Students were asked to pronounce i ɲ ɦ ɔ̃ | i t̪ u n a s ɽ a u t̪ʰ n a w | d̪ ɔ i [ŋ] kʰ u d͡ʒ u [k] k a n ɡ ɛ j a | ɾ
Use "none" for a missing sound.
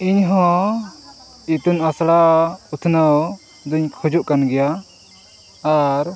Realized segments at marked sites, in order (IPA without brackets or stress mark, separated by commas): ɲ, ʔ